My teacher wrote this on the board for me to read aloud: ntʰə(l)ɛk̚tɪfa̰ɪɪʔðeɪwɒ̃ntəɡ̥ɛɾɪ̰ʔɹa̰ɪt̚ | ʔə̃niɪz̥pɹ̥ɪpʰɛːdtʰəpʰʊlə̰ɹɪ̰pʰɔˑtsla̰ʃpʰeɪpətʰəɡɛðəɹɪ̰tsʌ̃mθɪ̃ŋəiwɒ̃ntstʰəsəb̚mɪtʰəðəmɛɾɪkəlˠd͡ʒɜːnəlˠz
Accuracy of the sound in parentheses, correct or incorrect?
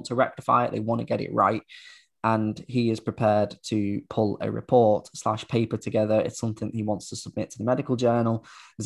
incorrect